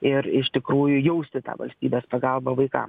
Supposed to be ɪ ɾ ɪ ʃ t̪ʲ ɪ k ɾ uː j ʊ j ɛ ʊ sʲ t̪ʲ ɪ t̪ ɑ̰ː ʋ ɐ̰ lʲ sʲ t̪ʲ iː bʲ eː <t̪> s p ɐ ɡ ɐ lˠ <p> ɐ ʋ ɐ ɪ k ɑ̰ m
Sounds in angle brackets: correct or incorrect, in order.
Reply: incorrect: none, incorrect: b

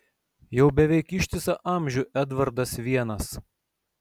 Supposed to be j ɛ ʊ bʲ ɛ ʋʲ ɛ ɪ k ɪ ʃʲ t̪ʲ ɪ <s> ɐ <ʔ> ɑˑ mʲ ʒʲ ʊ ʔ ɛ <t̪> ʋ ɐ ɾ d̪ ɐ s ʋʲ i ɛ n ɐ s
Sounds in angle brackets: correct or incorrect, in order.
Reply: correct, correct, incorrect: d̪

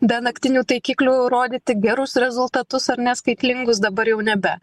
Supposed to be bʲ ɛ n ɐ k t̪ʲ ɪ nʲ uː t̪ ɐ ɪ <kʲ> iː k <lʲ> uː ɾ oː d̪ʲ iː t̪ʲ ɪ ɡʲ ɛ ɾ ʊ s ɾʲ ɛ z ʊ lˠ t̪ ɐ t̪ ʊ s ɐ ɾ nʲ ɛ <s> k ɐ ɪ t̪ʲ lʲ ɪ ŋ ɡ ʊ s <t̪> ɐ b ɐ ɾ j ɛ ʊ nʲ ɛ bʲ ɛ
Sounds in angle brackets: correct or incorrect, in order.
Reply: correct, correct, correct, incorrect: d̪

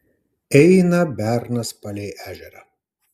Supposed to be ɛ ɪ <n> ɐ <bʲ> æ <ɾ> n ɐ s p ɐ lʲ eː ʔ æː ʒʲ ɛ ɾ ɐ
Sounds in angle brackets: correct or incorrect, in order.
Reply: correct, correct, correct

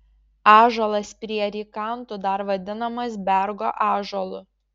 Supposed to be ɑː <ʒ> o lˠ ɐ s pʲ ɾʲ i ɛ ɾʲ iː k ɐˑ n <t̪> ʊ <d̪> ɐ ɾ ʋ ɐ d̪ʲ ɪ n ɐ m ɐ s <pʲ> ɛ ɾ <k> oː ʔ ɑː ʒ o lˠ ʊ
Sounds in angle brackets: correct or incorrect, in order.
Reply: correct, correct, correct, incorrect: bʲ, incorrect: ɡ

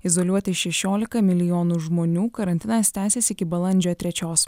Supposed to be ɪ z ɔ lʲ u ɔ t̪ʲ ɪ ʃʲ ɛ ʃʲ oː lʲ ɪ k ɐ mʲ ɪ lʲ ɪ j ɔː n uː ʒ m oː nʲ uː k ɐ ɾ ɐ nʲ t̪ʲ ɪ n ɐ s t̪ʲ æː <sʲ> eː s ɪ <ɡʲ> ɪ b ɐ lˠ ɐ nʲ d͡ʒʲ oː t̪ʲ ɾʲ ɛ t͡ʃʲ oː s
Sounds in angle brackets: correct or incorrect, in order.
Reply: correct, incorrect: kʲ

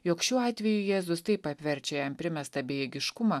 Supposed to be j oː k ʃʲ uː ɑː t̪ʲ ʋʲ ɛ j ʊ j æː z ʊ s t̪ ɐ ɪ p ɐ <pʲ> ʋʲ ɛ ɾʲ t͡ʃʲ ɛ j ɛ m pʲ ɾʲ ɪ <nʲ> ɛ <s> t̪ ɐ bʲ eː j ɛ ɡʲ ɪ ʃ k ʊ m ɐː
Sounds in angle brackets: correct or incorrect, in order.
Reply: correct, incorrect: mʲ, correct

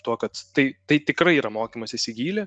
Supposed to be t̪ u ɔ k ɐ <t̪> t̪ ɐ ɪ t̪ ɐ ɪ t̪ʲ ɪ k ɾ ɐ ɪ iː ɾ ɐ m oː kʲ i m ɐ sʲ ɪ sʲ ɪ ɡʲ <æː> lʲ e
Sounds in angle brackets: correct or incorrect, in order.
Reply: correct, incorrect: iː

